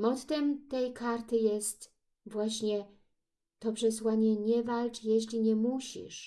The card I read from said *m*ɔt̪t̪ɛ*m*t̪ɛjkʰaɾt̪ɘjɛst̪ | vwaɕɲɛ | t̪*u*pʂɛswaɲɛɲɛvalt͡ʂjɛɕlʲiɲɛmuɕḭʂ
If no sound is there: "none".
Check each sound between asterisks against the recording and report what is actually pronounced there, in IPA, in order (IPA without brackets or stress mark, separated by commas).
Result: m, m, ɔ